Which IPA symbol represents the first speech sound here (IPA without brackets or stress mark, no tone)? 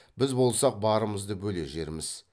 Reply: b